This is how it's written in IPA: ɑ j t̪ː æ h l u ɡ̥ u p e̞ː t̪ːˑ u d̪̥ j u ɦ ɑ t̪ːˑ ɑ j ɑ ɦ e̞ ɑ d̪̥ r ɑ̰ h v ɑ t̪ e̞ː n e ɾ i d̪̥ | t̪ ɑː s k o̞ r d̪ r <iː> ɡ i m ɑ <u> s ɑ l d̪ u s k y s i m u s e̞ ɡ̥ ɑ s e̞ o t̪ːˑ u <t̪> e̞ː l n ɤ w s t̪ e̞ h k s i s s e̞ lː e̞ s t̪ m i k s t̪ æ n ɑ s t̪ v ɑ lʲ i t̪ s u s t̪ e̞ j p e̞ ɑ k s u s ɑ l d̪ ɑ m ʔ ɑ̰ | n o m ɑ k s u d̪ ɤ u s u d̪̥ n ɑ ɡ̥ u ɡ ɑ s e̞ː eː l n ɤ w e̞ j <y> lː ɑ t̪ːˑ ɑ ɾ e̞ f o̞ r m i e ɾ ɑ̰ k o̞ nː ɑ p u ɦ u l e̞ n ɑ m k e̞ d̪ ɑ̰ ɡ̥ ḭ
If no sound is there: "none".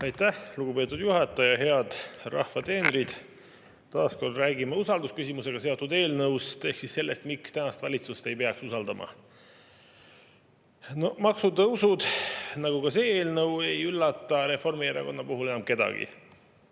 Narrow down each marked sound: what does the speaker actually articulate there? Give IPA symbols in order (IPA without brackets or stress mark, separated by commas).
æː, u, d̪, y